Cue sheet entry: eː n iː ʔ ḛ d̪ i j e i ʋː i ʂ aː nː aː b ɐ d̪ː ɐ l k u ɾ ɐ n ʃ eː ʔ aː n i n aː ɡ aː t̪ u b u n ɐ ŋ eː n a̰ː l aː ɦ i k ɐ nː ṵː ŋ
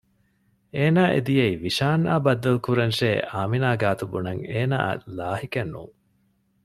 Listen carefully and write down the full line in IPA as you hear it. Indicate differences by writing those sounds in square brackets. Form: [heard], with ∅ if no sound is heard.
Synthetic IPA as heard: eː n [aː] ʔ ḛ d̪ i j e i [ʋ] i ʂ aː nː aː b ɐ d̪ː ɐ l k u ɾ ɐ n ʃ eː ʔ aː [m] i n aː ɡ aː t̪ u b u n ɐ ŋ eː n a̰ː l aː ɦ i k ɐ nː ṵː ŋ